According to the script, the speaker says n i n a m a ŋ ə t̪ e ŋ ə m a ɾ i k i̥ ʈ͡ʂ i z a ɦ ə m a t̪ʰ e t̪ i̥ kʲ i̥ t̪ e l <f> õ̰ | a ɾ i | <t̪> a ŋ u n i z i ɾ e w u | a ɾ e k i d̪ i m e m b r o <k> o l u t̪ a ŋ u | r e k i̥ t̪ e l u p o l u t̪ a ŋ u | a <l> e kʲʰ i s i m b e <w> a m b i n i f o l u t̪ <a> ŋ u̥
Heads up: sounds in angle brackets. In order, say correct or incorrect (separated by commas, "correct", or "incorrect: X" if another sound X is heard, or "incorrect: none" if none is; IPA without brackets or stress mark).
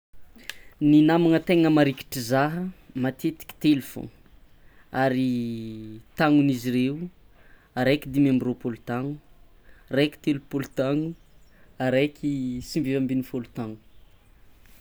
correct, correct, incorrect: p, incorrect: ɾ, incorrect: v, correct